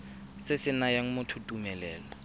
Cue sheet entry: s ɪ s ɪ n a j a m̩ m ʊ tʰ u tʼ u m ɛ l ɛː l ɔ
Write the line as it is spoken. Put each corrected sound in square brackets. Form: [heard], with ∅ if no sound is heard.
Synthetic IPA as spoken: s ɪ s ɪ n a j a [ŋ̩] m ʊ tʰ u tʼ u m ɛ l ɛː l ɔ